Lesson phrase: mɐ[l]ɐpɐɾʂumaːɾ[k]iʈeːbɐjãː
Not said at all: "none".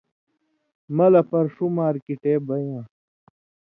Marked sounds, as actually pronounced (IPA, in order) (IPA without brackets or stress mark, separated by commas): l, k